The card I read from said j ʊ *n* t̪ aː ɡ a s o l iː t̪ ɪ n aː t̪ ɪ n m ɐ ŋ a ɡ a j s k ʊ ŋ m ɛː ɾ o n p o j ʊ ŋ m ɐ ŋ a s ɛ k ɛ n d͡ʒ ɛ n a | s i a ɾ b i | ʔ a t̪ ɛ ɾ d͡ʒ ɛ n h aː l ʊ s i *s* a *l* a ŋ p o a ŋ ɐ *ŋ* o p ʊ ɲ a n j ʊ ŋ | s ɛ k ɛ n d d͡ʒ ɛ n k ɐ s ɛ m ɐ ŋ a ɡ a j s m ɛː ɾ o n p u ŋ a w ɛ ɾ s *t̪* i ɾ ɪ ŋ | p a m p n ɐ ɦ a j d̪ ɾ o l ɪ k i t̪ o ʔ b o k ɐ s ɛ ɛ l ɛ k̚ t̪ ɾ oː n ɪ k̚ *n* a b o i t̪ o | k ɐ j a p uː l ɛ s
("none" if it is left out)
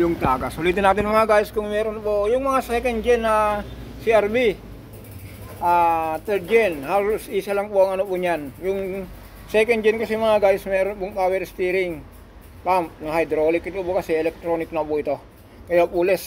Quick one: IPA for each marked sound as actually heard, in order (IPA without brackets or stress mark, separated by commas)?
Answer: ŋ, s, l, n, t̪, n